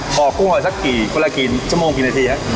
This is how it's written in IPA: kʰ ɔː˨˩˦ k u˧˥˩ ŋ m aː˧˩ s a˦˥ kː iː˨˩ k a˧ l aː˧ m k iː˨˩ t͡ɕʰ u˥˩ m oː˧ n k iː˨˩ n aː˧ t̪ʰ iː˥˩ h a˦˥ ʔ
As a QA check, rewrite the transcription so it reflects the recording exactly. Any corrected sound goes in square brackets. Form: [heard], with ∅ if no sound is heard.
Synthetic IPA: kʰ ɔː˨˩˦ k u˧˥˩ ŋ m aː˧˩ s a˦˥ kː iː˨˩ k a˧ l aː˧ [∅] k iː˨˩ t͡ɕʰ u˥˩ m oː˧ [ŋ] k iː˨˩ n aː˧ t̪ʰ [iː˧] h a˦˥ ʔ